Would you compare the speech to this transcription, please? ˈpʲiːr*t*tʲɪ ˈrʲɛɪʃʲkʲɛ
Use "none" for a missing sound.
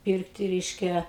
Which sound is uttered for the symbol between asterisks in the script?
k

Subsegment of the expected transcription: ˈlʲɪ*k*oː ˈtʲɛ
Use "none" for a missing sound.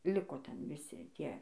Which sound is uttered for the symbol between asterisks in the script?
k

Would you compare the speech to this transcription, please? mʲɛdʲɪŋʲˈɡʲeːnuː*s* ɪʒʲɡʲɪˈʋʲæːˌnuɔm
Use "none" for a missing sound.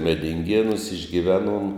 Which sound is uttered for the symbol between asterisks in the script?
s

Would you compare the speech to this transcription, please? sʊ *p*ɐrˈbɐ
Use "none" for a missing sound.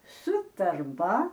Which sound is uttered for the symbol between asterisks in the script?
t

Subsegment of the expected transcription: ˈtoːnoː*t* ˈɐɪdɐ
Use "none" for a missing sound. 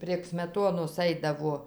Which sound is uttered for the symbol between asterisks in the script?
s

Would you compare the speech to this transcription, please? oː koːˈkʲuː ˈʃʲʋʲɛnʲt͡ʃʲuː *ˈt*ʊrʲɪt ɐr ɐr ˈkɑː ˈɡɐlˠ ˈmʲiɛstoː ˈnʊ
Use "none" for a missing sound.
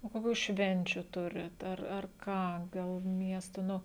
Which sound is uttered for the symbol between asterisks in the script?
t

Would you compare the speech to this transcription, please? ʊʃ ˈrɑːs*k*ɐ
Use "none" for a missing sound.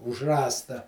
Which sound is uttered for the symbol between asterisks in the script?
t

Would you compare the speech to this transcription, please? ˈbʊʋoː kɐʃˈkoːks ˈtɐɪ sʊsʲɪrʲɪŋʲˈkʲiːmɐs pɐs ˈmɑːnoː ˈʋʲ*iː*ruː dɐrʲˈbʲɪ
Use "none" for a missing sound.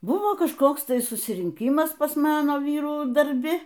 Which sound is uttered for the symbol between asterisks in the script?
iː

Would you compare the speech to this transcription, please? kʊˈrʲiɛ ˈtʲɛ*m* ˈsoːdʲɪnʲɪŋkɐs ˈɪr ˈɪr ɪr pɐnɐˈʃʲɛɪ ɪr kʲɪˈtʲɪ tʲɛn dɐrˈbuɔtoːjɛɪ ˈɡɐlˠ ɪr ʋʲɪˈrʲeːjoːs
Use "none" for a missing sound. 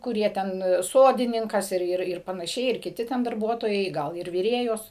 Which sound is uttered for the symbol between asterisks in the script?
n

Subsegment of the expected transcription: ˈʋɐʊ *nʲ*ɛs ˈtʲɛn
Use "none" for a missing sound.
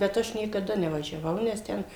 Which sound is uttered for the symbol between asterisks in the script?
nʲ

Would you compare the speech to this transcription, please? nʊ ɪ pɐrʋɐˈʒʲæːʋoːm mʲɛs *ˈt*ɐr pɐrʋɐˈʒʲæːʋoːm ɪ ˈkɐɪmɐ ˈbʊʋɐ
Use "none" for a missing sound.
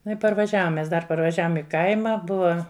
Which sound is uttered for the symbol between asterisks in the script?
d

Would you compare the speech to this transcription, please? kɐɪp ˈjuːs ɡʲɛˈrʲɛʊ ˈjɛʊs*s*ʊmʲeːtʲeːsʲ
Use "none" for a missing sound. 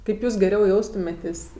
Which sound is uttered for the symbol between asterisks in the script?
t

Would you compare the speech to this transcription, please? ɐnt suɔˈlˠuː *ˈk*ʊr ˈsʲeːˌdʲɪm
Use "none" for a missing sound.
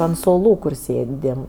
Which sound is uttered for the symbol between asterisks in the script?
k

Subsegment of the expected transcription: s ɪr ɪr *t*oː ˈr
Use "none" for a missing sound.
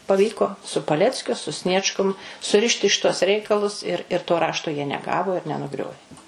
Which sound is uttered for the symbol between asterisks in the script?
t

